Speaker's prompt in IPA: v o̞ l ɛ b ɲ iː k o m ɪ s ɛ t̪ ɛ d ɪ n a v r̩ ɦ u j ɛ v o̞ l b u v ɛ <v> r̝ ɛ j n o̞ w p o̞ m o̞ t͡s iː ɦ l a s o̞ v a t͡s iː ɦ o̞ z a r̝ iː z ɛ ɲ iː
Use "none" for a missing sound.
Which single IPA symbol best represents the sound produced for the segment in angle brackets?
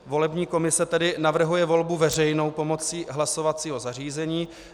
none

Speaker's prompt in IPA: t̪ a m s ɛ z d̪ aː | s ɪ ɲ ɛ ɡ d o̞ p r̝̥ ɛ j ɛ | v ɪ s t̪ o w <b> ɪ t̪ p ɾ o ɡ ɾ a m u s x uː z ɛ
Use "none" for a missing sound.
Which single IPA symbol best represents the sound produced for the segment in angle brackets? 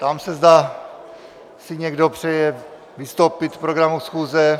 p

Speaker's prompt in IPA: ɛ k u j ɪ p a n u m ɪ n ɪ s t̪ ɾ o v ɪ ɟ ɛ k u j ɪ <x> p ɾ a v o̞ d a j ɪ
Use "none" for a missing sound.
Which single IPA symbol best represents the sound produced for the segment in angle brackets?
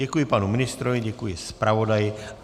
s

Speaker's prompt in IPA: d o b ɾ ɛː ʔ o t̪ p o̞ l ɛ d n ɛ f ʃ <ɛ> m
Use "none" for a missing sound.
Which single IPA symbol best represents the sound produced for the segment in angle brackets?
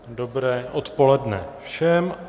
ɛ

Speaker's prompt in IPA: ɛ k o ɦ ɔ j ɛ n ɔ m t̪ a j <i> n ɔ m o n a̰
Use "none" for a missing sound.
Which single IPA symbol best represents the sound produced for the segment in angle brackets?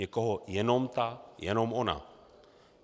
ɛ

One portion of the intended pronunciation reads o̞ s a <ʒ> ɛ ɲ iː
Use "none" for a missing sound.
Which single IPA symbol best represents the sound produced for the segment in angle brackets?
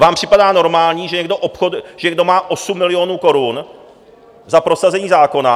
z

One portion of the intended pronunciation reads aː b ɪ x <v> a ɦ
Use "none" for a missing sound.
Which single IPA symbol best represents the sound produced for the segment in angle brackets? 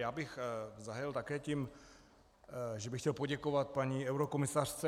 z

